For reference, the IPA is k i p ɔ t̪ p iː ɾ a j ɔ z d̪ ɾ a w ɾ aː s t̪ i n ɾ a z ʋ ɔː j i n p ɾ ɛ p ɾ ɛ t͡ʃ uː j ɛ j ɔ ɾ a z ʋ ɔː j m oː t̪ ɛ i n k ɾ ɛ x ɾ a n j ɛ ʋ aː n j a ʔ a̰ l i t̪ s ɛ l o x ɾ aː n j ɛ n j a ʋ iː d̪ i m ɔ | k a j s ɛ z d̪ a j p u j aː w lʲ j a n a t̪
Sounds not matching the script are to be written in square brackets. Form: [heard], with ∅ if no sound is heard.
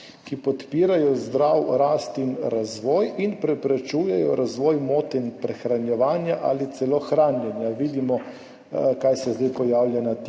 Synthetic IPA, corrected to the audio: k i p ɔ t̪ p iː ɾ a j ɔ z d̪ ɾ a w ɾ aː s t̪ i n ɾ a z ʋ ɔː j i n p ɾ ɛ p ɾ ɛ t͡ʃ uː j ɛ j ɔ ɾ a z ʋ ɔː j m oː t̪ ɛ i n [p] ɾ ɛ x ɾ a n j ɛ ʋ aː n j a ʔ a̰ l i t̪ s ɛ l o x ɾ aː n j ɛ n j a ʋ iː d̪ i m ɔ | k a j s ɛ z d̪ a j p [ɔ] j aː w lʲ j a n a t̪

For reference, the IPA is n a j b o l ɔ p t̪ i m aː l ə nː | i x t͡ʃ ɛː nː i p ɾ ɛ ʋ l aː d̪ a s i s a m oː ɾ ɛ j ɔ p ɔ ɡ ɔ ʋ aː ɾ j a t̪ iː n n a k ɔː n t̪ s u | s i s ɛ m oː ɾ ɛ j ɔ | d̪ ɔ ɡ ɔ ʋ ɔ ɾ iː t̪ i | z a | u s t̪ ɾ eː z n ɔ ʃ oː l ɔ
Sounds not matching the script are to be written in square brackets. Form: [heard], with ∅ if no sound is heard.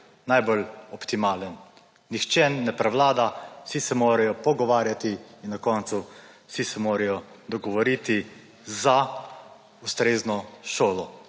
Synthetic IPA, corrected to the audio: n a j b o l ɔ p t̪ i m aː l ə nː | i x t͡ʃ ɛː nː [ɛ] p ɾ ɛ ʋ l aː d̪ a s i s [ɛ] m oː ɾ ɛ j ɔ p ɔ ɡ ɔ ʋ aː ɾ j a t̪ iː n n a k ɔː n t̪ s u | s i s ɛ m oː ɾ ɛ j ɔ | d̪ ɔ ɡ ɔ ʋ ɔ ɾ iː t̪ i | z a | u s t̪ ɾ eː z n ɔ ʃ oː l ɔ

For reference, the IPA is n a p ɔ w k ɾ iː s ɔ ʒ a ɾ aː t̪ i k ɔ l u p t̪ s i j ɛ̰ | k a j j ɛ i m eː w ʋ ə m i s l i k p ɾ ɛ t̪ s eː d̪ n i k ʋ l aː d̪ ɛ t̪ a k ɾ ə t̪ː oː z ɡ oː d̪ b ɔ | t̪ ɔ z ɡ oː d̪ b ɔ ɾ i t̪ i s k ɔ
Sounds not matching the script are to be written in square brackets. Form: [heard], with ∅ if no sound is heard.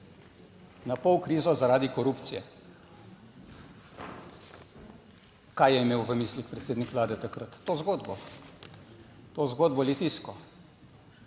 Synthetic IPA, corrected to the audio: n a p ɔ w k ɾ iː [z] ɔ [z] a ɾ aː [d̪] i k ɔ [ɾ] u p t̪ s i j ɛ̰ | k a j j ɛ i m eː w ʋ ə m i s l i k p ɾ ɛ t̪ s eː d̪ n i k ʋ l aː d̪ ɛ t̪ a k ɾ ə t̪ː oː z ɡ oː d̪ b ɔ | t̪ [o] z ɡ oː d̪ b ɔ [l] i t̪ i s k ɔ

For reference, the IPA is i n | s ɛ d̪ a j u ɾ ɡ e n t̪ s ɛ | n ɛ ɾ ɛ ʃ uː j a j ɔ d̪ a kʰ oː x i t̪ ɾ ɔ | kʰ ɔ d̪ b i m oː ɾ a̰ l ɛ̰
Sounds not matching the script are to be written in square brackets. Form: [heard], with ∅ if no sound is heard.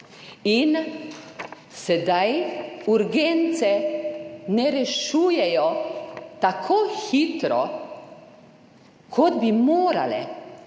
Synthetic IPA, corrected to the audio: i n | s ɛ d̪ a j u ɾ ɡ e n t̪ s ɛ | n ɛ ɾ ɛ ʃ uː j [ɛ] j ɔ [t̪] a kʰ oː x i t̪ ɾ ɔ | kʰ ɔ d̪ b i m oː ɾ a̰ l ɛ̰

